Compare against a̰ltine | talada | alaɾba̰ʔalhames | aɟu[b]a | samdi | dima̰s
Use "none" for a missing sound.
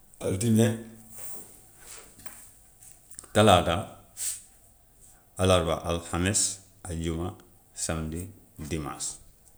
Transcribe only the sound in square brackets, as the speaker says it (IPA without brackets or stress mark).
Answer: m